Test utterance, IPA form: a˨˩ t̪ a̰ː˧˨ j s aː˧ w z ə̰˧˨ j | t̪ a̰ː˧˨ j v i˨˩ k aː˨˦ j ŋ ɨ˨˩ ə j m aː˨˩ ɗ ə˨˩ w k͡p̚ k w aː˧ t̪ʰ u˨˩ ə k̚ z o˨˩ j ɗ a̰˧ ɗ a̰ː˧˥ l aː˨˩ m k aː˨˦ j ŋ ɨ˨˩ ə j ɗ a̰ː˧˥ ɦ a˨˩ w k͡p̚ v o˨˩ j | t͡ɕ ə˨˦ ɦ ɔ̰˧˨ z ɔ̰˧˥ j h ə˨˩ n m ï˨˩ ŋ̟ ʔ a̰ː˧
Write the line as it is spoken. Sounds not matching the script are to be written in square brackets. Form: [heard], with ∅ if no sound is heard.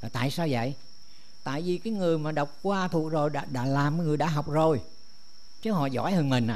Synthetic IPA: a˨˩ t̪ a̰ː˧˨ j s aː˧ w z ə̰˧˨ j | t̪ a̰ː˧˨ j v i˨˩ k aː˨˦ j ŋ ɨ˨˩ ə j m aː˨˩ ɗ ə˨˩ w k͡p̚ k w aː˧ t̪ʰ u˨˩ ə k̚ z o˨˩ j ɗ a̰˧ ɗ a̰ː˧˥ l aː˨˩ m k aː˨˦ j ŋ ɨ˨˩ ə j ɗ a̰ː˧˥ ɦ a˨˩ w k͡p̚ [z] o˨˩ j | t͡ɕ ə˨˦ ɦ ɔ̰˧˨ z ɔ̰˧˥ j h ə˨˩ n m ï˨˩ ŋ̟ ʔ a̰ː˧